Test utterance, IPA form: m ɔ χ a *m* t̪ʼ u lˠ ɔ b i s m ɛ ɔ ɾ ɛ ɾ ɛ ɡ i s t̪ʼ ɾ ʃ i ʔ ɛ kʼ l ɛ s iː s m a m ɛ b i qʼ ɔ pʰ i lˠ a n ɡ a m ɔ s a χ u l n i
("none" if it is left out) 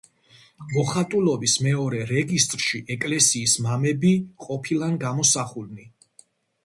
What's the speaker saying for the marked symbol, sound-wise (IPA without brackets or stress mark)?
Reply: none